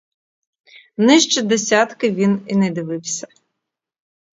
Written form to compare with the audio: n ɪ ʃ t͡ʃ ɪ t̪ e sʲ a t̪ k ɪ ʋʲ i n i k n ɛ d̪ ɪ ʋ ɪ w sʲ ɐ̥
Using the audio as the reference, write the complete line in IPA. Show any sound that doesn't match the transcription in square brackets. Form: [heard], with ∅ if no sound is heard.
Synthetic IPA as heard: n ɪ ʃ t͡ʃ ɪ [d̪] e sʲ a t̪ k ɪ ʋʲ i n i [∅] n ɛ d̪ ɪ ʋ ɪ w sʲ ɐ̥